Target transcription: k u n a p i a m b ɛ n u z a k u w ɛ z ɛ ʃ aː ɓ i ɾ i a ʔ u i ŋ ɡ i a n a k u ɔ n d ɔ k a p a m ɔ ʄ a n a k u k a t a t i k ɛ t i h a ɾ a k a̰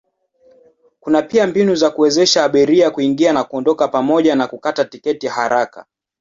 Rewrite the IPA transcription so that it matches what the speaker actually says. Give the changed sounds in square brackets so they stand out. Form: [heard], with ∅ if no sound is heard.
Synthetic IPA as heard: k u n a p i a m b [i] n u z a k u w ɛ z ɛ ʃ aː ɓ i ɾ i a [k] u i ŋ ɡ i a n a k u ɔ n d ɔ k a p a m ɔ ʄ a n a k u k a t a t i k ɛ t i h a ɾ a k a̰